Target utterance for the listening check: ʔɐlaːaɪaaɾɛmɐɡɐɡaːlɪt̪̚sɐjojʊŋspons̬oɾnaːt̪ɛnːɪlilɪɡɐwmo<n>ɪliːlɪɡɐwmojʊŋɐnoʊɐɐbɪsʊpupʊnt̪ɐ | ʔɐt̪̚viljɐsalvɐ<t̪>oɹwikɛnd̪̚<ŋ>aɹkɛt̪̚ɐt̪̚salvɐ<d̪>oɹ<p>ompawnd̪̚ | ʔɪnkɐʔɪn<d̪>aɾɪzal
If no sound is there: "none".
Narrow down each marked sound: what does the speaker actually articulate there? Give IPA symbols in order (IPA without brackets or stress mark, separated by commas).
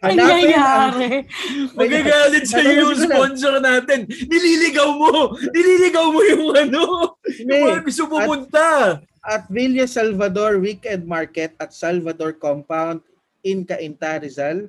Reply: n, d̪, m, d̪, k, t̪